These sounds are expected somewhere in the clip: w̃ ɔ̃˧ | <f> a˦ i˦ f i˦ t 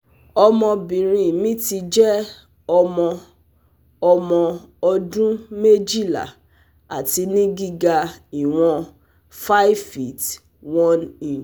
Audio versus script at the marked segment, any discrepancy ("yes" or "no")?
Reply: no